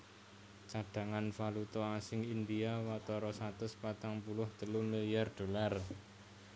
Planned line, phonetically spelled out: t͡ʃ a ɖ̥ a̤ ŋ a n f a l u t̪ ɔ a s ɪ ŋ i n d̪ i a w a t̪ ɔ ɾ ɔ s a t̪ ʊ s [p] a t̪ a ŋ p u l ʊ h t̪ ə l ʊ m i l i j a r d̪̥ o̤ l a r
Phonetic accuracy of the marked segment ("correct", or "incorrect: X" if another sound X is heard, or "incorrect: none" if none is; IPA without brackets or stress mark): correct